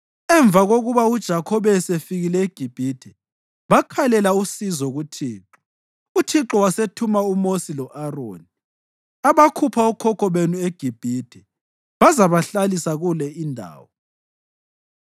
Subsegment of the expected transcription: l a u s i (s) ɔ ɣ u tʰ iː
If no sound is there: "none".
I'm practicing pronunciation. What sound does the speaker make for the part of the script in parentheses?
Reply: z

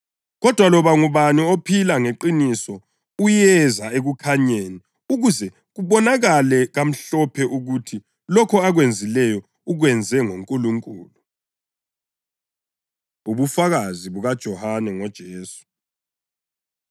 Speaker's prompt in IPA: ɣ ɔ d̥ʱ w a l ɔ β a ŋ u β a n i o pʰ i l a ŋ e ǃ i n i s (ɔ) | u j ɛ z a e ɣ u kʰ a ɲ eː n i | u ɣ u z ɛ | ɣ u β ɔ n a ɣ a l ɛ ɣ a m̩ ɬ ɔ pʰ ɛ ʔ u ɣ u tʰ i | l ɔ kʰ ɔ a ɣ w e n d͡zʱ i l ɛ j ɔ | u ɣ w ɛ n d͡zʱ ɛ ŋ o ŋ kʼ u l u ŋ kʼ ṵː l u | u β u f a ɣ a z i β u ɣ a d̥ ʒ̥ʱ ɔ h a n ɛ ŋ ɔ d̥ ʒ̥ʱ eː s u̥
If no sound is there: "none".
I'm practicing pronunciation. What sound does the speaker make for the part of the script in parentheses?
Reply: ɔ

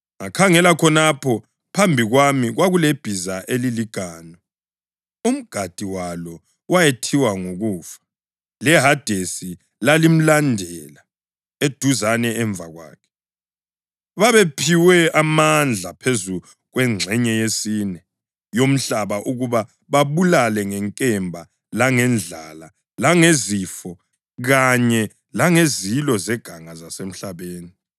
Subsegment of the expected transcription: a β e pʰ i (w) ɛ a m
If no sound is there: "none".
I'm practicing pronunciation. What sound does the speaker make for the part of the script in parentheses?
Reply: w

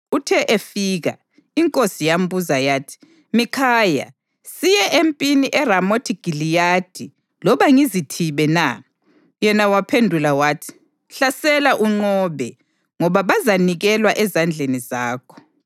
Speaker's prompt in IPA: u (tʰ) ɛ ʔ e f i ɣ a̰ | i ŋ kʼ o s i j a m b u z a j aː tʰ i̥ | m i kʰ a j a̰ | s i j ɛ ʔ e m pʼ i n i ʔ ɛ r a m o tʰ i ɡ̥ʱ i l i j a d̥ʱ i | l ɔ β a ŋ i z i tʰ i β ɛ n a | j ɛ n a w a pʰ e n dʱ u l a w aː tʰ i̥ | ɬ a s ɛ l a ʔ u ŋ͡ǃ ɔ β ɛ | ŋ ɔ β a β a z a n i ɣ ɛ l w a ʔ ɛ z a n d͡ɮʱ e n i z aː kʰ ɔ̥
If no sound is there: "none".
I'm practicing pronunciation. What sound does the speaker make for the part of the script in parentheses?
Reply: tʰ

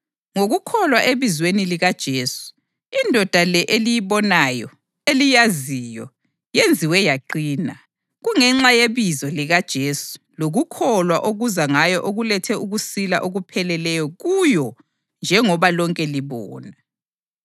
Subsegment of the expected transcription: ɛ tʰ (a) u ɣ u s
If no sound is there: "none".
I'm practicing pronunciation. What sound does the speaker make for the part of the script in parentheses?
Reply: ɛ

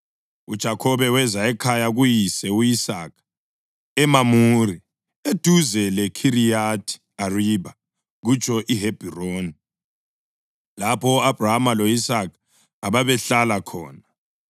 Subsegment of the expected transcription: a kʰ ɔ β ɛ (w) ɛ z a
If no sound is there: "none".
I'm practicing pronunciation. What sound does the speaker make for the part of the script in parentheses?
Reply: w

